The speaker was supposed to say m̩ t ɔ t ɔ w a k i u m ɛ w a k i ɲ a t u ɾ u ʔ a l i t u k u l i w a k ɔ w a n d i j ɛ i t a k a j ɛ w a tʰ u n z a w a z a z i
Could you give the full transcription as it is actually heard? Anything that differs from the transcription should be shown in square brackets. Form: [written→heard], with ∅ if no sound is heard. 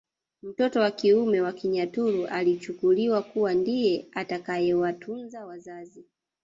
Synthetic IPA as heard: m̩ t ɔ t ɔ w a k i u m ɛ w a k i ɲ a t u ɾ u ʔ a l i [t→t͡ʃ] u k u l i w a k [ɔ→u] w a n d i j ɛ [i→a] t a k a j ɛ w a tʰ u n z a w a z a z i